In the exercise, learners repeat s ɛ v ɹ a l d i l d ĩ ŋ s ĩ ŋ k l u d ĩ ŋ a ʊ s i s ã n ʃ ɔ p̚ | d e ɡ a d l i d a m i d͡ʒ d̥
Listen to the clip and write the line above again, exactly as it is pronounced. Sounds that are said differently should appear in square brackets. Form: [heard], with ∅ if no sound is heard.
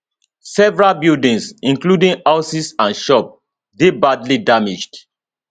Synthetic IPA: s ɛ v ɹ a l [b] i l d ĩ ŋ s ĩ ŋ k l u d ĩ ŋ a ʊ s i s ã n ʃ ɔ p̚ | d e [b] a d l i d a m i d͡ʒ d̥

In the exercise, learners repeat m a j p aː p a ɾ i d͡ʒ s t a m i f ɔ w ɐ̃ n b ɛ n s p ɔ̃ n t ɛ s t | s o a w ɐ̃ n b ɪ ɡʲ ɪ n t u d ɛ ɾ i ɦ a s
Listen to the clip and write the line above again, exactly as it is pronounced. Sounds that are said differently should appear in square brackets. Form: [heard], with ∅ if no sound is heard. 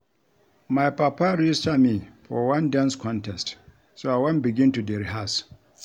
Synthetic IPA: m a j p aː p a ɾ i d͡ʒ s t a m i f ɔ w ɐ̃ n [d] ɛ n s [k] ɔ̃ n t ɛ s t | s o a w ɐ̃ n b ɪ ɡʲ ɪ n t u d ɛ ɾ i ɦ a s

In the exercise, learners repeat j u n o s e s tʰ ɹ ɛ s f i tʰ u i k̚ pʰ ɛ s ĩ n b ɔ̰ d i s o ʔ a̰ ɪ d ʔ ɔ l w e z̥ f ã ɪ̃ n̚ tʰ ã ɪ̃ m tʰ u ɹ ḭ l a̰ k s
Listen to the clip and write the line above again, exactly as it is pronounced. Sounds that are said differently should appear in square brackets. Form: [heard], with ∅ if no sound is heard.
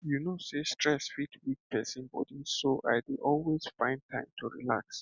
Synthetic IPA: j u n o s e s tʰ ɹ ɛ s f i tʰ [w] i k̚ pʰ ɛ s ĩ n b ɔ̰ d i s o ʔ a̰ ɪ d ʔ ɔ l w e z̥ f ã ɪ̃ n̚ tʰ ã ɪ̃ m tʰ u ɹ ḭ l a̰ k s

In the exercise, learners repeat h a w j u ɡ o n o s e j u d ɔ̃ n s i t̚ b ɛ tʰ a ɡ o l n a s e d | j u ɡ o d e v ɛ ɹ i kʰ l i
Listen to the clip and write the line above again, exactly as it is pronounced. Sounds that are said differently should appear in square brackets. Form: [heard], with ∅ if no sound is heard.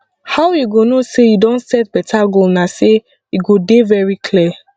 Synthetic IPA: h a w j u ɡ o n o s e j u d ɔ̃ n s [ɛ] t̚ b ɛ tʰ a ɡ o l n a s e [∅] | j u ɡ o d e v ɛ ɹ i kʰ l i

